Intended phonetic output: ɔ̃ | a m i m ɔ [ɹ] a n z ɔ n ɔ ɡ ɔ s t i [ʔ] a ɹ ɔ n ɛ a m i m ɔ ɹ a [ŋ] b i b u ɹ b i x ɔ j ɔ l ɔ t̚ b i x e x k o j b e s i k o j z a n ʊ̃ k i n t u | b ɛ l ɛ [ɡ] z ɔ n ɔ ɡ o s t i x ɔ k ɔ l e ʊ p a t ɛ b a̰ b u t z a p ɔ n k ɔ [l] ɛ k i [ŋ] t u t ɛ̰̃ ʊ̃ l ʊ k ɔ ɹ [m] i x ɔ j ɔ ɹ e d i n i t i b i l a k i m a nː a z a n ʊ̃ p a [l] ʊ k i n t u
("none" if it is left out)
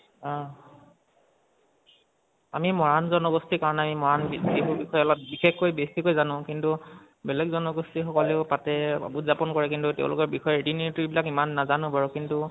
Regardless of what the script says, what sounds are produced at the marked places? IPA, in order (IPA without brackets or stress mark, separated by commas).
ɹ, k, n, ɡ, ɹ, n, b, ɹ